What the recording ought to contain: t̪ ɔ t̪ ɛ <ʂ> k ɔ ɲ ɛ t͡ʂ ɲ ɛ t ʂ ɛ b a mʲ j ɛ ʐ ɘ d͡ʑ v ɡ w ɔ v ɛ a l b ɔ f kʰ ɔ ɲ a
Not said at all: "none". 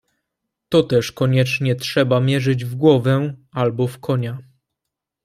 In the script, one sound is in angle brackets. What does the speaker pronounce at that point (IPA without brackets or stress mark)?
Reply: ʂ